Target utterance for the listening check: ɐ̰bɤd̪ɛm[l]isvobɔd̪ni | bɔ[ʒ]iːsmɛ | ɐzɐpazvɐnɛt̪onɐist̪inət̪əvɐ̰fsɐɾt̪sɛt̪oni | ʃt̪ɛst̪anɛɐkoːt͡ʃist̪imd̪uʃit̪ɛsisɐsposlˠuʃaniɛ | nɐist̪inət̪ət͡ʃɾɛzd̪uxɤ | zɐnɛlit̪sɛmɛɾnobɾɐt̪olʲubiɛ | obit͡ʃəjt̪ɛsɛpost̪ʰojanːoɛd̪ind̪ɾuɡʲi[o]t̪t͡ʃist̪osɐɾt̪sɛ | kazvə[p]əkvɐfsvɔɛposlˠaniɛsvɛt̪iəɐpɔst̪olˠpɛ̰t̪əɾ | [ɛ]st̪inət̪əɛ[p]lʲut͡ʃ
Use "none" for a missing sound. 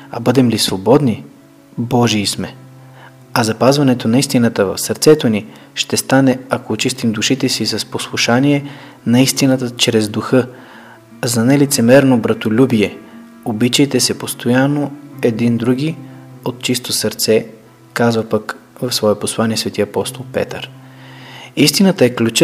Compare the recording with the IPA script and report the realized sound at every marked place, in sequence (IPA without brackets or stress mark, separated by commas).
l, ʒ, o, p, i, k